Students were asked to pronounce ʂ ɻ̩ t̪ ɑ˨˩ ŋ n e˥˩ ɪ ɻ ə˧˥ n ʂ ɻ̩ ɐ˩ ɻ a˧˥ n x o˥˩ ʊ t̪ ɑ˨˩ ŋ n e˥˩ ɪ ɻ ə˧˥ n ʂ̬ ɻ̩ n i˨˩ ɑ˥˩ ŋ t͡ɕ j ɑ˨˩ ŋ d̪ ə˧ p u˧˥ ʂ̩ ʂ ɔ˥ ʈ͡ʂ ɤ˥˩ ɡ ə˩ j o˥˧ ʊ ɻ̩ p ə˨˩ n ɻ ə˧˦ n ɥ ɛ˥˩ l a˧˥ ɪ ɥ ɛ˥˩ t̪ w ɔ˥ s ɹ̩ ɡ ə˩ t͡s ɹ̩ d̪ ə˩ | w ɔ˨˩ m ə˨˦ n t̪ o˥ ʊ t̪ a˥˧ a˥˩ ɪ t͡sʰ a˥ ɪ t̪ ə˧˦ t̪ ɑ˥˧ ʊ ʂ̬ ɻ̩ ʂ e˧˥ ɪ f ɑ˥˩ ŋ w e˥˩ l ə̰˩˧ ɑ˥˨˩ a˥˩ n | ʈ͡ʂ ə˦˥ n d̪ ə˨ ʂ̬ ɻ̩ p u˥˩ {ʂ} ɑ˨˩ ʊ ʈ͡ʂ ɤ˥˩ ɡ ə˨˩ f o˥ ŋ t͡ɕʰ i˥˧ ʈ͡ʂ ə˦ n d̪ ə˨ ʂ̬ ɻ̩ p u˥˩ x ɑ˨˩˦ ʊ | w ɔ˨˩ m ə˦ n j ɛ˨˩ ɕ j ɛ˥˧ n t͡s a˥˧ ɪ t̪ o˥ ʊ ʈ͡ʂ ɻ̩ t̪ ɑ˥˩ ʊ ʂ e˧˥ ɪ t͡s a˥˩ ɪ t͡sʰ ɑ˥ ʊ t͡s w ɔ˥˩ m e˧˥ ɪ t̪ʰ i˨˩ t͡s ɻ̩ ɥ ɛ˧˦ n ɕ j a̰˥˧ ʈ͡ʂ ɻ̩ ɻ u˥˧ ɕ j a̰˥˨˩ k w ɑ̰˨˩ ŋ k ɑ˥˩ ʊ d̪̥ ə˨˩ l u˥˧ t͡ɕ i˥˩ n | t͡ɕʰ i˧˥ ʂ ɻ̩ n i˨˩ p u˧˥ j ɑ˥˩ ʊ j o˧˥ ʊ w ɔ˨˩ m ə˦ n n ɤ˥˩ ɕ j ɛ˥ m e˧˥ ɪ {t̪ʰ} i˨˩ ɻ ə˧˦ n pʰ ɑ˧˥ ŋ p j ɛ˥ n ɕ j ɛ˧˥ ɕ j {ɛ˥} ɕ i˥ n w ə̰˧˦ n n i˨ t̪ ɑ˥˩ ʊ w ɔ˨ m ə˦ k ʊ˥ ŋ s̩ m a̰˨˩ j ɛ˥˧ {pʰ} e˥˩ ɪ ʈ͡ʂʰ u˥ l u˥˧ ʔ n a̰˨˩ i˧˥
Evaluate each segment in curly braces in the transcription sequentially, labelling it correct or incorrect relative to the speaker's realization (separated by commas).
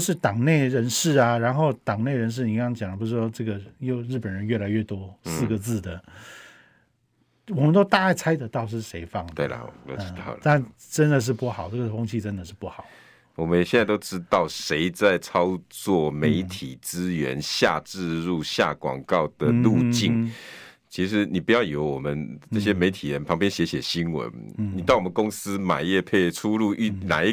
incorrect, correct, incorrect, correct